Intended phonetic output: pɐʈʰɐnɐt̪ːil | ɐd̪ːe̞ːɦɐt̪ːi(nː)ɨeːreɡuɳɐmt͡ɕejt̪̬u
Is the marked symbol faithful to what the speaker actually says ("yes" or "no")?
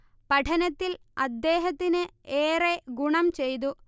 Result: no